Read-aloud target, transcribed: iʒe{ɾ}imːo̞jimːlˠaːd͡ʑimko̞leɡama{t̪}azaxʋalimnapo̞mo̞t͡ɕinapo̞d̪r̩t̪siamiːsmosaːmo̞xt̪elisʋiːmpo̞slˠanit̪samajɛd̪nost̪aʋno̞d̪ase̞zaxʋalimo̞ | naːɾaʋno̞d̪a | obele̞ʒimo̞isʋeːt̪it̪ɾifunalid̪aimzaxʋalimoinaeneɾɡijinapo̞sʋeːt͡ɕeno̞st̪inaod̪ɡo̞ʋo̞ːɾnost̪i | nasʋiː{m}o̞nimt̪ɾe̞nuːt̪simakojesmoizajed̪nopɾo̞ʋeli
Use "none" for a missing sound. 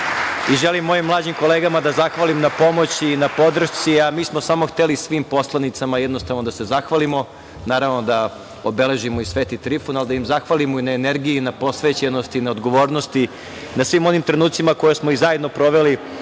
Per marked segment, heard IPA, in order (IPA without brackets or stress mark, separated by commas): l, d̪, m